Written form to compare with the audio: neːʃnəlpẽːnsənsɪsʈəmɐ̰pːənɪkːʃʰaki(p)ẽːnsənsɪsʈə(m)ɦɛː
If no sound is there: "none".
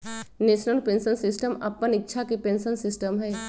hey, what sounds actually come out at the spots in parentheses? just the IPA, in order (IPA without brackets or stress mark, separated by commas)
p, m